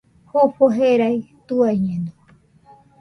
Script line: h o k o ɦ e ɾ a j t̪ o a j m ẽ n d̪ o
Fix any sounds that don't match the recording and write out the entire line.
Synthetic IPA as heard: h o p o ɦ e ɾ a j t̪ u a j ɲ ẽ n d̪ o

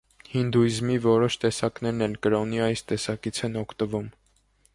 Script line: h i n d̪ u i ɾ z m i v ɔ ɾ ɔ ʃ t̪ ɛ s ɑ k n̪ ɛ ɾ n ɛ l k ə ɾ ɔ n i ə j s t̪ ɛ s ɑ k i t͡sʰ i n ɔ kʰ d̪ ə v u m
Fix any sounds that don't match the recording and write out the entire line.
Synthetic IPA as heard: h i n d̪ u i z m i v ɔ ɾ ɔ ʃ t̪ ɛ s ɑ k n̪ ɛ ɾ n ɛ l k ə ɾ ɔ n i ɑ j s t̪ ɛ s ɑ k i t͡sʰ ɛ n ɔ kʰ t̪ ə v u m

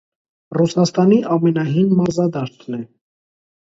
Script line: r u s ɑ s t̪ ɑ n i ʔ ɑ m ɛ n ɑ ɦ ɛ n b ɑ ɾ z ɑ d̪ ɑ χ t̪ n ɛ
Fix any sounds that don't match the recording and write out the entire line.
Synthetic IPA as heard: r u s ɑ s t̪ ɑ n i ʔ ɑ m ɛ n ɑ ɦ i n m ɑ ɾ z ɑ d̪ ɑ ʃ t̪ n ɛ

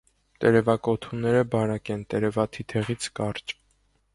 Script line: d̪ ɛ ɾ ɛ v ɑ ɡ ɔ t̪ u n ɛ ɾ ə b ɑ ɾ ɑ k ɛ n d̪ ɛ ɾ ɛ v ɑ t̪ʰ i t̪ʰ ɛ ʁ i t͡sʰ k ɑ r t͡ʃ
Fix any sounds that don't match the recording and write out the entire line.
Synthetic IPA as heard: t̪ ɛ ɾ ɛ v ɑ k ɔ t̪ʰ u n ɛ ɾ ə b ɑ ɾ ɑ k ɛ n t̪ ɛ ɾ ɛ v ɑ t̪ʰ i t̪ʰ ɛ ʁ i t͡sʰ k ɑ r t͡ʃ

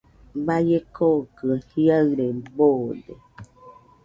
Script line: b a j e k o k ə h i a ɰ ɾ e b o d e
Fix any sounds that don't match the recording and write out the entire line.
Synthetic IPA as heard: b a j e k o k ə h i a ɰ ɾ e b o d e

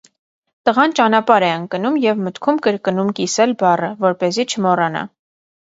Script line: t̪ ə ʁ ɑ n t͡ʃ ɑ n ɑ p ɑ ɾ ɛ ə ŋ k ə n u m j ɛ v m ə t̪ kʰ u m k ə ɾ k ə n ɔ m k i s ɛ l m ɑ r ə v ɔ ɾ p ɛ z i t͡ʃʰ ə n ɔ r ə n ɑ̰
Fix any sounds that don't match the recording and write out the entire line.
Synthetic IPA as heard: t̪ ə ʁ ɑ n t͡ʃ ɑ n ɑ p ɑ ɾ ɛ ə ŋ k ə n u m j ɛ v m ə t̪ kʰ u m k ə ɾ k ə n u m k i s ɛ l b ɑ r ə v ɔ ɾ p ɛ z i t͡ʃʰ ə m ɔ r ɑ n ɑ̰

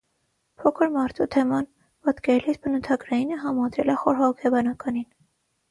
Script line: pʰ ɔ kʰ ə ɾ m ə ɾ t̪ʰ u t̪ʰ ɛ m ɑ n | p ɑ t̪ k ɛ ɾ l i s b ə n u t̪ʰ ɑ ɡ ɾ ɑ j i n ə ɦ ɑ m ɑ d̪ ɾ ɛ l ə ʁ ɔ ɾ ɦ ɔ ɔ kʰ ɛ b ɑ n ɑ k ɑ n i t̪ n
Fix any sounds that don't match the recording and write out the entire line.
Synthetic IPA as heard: pʰ ɔ kʰ ə ɾ m ɑ ɾ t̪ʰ u t̪ʰ ɛ m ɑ n | p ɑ t̪ k ɛ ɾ l i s b ə n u t̪ʰ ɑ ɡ ɾ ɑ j i n ə ɦ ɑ m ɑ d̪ ɾ ɛ l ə χ ɔ ɾ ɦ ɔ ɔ kʰ ɛ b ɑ n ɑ k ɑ n i n

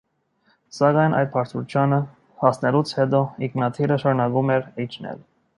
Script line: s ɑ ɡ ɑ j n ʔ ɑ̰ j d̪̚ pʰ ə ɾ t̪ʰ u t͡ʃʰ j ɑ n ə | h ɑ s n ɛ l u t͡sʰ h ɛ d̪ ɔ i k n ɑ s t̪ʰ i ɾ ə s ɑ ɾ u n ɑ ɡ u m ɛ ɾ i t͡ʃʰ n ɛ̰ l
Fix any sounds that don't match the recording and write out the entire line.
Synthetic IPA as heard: s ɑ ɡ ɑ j n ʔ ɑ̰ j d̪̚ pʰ ɑ ɾ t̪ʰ u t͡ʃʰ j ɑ n ə | h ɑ s n ɛ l u t͡sʰ h ɛ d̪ ɔ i k n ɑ t̪ʰ i ɾ ə ʃ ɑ ɾ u n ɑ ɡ u m ɛ ɾ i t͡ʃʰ n ɛ̰ l

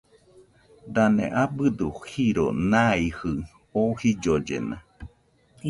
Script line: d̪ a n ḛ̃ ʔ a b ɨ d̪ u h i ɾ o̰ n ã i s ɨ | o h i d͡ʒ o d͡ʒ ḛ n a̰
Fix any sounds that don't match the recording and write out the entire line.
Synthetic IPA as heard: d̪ a n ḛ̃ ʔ a b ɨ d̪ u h i ɾ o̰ n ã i h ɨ | o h i d͡ʒ o d͡ʒ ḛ n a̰

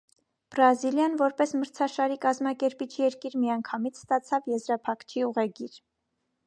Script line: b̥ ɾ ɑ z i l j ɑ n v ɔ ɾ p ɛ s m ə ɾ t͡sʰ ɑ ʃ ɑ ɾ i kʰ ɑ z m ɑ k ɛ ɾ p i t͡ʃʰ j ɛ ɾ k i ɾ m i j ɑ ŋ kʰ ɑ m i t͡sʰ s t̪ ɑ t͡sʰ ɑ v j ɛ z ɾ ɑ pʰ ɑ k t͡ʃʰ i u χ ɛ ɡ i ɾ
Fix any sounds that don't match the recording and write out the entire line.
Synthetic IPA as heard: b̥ ɾ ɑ z i l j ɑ n v ɔ ɾ p ɛ s m ə ɾ t͡sʰ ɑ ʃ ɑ ɾ i k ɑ z m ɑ k ɛ ɾ p i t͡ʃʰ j ɛ ɾ k i ɾ m i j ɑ ŋ kʰ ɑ m i t͡sʰ s t̪ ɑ t͡sʰ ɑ v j ɛ z ɾ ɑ pʰ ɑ k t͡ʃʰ i u ʁ ɛ ɡ i ɾ

